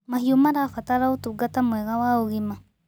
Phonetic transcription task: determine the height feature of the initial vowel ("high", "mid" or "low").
low